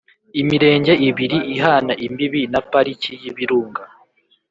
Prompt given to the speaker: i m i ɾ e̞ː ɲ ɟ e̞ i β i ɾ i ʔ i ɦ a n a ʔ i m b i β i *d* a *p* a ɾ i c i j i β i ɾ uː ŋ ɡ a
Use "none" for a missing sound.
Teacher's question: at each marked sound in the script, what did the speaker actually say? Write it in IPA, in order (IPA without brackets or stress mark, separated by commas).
n, p